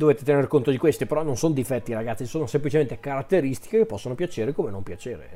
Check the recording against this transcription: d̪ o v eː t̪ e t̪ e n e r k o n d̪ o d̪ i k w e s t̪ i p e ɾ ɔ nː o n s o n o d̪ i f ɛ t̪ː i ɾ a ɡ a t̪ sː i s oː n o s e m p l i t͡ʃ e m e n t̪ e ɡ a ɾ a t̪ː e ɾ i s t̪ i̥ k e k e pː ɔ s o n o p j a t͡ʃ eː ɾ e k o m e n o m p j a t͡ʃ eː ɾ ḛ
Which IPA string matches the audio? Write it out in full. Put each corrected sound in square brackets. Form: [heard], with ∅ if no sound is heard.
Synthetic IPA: d̪ o v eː t̪ e t̪ e n e r k o n [t̪] o d̪ i k w e s t̪ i p e ɾ ɔ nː o n s o n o d̪ i f ɛ t̪ː i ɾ a ɡ a t̪ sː i s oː n o s e m p l i t͡ʃ e m e n t̪ e [k] a ɾ a t̪ː e ɾ i s t̪ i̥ k e k e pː ɔ [sː] o n o p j a t͡ʃ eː ɾ e k o m e n o m p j a t͡ʃ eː ɾ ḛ